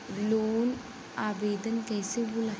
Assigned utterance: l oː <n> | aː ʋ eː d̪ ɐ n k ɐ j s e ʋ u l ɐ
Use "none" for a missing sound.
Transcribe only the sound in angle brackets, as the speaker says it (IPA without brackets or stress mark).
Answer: n